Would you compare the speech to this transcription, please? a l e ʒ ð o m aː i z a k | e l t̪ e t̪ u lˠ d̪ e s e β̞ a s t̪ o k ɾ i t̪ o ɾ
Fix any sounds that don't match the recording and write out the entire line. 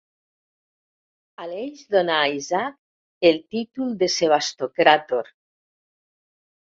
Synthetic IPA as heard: a l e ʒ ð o n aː i z a k | e l t̪ i t̪ u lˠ d̪ e s e β̞ a s t̪ o k ɾ a t̪ o ɾ